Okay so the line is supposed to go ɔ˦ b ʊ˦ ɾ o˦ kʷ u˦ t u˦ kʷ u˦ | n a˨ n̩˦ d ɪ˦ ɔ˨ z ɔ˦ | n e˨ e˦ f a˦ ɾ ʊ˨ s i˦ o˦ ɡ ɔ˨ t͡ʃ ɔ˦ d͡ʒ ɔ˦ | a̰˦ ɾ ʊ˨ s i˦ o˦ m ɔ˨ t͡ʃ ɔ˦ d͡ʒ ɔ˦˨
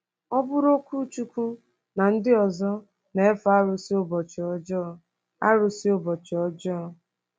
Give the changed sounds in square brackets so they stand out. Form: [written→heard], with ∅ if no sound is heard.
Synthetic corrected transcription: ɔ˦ b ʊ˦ ɾ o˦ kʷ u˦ [t→t͡ʃ] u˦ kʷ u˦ | n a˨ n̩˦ d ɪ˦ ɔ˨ z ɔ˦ | n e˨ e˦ f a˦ ɾ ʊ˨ s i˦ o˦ [ɡ→b] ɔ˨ t͡ʃ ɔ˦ d͡ʒ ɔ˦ | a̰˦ ɾ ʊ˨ s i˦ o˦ [m→b] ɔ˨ t͡ʃ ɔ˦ d͡ʒ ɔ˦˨